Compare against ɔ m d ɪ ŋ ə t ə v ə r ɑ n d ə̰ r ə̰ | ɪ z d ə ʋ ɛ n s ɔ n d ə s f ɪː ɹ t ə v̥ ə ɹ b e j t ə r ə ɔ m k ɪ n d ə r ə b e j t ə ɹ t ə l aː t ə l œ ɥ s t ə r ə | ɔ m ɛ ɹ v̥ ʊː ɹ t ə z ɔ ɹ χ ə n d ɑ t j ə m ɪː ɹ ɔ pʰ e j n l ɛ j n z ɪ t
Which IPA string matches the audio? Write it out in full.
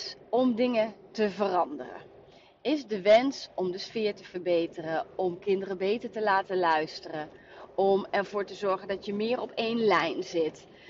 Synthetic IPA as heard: ɔ m d ɪ ŋ ə t ə v ə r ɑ n d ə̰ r ə̰ | ɪ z d ə ʋ ɛ n s ɔ m d ə s f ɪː ɹ t ə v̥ ə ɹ b e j t ə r ə ɔ m k ɪ n d ə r ə b e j t ə ɹ t ə l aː t ə l œ ɥ s t ə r ə | ɔ m ɛ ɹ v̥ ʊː ɹ t ə z ɔ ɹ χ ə n d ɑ t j ə m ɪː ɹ ɔ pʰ e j n l ɛ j n z ɪ t